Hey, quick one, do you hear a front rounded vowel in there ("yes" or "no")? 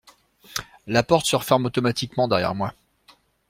no